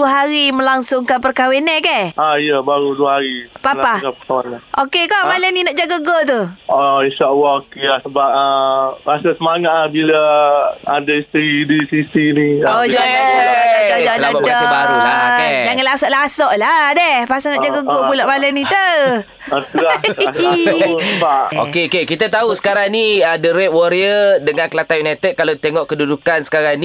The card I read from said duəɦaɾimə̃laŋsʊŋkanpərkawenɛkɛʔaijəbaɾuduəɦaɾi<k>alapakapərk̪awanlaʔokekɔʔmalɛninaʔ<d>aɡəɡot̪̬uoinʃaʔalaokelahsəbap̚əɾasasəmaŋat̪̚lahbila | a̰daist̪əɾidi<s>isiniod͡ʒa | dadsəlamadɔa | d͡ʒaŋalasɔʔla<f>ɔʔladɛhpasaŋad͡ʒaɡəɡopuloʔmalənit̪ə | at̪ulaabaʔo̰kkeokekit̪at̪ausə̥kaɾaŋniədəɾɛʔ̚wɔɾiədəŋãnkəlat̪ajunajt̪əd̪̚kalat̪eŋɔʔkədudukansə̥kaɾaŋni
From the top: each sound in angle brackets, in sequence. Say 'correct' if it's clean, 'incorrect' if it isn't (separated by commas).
incorrect, incorrect, correct, incorrect